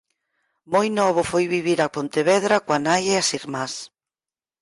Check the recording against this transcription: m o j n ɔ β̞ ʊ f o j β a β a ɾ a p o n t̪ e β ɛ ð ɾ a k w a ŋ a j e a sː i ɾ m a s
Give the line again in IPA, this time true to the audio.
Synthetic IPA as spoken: m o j n ɔ β̞ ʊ f o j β i β i ɾ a p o n t̪ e β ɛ ð ɾ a k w a n a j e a s i ɾ m a s